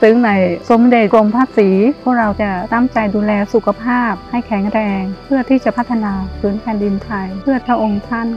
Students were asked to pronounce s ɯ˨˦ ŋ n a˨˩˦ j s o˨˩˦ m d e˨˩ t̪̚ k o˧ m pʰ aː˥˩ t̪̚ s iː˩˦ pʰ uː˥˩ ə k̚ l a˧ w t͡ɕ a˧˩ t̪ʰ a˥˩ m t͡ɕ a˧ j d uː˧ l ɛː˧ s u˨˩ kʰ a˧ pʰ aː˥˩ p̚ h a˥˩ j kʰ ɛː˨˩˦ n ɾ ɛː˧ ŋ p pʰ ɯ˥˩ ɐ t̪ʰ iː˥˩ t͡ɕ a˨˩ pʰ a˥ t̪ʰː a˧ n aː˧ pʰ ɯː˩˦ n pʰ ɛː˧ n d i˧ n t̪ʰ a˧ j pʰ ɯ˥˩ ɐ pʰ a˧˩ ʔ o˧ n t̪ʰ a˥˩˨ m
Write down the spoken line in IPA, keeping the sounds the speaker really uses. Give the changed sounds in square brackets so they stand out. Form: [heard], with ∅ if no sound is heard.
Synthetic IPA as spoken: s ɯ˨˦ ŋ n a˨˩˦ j s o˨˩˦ m d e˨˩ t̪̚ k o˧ m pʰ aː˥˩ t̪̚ s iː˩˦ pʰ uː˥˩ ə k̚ [ɾ] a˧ w t͡ɕ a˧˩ [t̪] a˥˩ m t͡ɕ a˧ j d uː˧ l ɛː˧ s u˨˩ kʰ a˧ pʰ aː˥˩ p̚ h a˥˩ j kʰ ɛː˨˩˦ [ŋ] ɾ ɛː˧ ŋ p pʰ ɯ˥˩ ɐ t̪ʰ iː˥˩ t͡ɕ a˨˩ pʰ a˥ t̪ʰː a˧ n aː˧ pʰ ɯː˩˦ n pʰ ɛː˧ n d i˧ n t̪ʰ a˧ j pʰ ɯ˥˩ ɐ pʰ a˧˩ ʔ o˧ [ŋ] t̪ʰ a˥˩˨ [n]

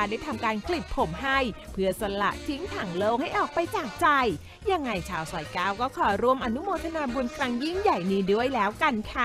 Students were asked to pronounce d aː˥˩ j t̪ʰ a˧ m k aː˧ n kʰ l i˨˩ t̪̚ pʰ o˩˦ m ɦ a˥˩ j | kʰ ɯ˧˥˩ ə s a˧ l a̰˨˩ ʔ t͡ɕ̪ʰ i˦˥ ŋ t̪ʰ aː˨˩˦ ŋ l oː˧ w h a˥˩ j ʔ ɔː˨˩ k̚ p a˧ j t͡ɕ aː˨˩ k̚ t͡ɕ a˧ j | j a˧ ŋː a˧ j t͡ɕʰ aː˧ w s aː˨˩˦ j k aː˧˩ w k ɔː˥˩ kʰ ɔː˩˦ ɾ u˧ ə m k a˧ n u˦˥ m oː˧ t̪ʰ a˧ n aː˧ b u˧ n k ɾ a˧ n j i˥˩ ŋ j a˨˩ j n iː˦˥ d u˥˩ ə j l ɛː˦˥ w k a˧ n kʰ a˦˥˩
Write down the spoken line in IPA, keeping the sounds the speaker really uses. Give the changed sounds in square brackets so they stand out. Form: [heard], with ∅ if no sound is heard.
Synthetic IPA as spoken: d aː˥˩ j t̪ʰ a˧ m k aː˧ n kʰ l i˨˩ t̪̚ pʰ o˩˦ m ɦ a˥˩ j | [pʰ] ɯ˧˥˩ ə s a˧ l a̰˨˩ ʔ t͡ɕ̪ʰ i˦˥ ŋ t̪ʰ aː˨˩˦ ŋ l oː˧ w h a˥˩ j ʔ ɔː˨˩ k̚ p a˧ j t͡ɕ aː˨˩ k̚ t͡ɕ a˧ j | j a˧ ŋː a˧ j t͡ɕʰ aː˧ w s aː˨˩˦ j k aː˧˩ w k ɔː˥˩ kʰ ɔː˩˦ ɾ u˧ ə m [ʔ] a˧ n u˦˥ m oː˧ t̪ʰ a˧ n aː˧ b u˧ n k ɾ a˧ [ŋ] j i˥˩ ŋ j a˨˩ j n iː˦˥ d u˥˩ ə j l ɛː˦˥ w k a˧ n kʰ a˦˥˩

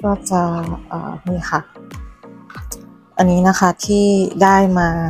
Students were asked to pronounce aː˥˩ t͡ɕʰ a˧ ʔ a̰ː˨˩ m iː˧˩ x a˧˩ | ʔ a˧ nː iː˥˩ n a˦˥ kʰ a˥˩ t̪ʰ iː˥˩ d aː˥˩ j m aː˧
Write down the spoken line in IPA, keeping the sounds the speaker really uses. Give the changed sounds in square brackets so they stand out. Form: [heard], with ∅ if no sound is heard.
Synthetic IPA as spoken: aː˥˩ [t͡ɕ] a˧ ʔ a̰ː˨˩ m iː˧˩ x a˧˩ | ʔ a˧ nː [iː˦˥] n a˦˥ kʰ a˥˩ t̪ʰ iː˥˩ d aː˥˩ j m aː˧

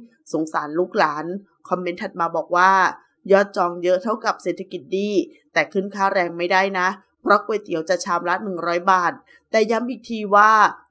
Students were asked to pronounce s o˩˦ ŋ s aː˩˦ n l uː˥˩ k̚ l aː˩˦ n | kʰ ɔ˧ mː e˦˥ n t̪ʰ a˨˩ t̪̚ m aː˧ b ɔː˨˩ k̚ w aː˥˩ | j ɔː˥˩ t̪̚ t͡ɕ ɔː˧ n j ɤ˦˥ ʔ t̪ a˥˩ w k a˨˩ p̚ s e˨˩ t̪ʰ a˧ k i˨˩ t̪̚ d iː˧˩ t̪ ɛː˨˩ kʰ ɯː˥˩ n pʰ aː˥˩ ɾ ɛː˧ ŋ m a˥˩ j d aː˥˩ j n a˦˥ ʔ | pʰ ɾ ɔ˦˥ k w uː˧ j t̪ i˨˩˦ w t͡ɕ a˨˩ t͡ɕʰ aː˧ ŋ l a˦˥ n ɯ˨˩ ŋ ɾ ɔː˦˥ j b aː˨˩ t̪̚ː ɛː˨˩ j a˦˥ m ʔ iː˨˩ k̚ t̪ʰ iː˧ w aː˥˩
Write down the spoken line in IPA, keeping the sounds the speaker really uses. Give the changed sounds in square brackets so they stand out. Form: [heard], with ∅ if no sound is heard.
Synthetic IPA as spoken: s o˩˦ ŋ s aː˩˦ n l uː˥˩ k̚ l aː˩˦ n | kʰ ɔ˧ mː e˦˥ n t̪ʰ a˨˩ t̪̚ m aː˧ b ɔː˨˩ k̚ w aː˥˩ | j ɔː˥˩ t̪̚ t͡ɕ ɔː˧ [ŋ] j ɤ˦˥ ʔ [t̪ʰ] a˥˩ w k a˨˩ p̚ s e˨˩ t̪ʰ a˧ k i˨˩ t̪̚ d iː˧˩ t̪ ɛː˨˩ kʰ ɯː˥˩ n [kʰ] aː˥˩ ɾ ɛː˧ ŋ m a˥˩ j d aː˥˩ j n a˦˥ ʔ | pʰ ɾ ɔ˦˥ k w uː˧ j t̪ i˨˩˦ w t͡ɕ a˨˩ t͡ɕʰ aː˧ [m] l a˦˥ n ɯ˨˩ ŋ ɾ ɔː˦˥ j b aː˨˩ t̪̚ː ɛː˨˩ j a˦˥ m ʔ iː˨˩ k̚ t̪ʰ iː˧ w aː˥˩

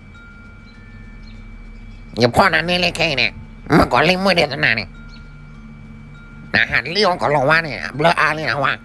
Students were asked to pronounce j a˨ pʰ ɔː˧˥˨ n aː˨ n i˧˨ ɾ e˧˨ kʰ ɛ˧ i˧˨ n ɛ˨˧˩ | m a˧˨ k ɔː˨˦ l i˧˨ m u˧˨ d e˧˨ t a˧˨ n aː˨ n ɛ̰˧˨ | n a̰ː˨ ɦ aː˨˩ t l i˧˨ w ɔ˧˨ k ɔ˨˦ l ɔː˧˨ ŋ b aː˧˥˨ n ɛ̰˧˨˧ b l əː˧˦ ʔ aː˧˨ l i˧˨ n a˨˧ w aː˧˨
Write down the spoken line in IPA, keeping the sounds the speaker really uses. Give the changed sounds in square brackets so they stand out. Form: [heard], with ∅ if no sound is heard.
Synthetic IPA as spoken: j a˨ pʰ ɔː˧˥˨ n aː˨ n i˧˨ [l] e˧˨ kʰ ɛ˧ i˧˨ n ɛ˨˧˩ | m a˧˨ k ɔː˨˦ l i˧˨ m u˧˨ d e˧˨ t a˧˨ n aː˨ n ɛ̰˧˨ | n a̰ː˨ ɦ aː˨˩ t l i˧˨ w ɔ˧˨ k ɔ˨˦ l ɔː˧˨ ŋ [w] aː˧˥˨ n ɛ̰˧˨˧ b l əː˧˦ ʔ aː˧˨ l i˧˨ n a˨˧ w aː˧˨

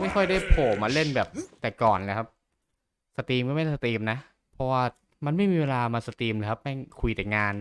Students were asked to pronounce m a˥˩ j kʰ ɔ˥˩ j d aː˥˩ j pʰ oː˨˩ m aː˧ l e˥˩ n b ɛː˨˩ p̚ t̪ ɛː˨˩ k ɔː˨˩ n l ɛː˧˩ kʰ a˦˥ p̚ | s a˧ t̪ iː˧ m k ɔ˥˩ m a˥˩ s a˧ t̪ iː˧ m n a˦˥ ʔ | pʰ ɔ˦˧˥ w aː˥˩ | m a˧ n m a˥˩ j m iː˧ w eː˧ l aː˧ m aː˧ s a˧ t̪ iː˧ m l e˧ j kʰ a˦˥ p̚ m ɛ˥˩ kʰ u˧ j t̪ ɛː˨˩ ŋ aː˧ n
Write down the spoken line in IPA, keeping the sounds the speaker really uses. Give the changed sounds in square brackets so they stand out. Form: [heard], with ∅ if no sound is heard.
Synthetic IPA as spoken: m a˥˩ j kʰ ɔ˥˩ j d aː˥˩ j pʰ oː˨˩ m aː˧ l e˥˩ n b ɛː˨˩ p̚ t̪ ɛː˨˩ k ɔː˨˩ n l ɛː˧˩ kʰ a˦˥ p̚ | s a˧ t̪ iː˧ m k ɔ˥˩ m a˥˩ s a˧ t̪ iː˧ m n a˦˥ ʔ | pʰ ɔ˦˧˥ w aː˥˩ | m a˧ n m a˥˩ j m iː˧ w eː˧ l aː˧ m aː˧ s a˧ t̪ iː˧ m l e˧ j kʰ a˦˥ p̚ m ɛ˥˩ kʰ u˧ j t̪ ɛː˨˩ ŋ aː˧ n

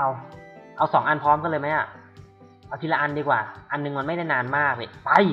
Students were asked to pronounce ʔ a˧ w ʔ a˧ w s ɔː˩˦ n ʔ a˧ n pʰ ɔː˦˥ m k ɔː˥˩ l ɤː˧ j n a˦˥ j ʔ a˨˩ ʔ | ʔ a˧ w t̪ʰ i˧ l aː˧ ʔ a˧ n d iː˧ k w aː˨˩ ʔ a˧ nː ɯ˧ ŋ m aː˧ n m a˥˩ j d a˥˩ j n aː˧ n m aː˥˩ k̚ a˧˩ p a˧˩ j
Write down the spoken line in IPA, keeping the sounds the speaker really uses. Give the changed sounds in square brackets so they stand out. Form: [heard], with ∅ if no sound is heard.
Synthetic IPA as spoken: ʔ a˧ w ʔ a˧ w s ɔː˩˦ [ŋ] ʔ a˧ n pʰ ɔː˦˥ m k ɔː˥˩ l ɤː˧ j [m] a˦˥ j ʔ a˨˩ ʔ | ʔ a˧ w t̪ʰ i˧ l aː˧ ʔ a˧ n d iː˧ k w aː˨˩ ʔ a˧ nː ɯ˧ ŋ m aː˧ n m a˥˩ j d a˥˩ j n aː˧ n m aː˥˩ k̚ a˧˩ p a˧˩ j

